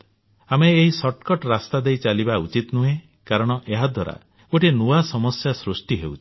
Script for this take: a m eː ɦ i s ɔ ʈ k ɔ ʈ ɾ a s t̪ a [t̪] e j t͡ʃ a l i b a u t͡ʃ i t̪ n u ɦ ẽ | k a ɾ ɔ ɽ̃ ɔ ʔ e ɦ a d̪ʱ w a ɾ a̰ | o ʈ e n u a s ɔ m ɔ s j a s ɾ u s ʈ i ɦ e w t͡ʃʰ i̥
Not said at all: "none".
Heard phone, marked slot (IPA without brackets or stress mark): d̪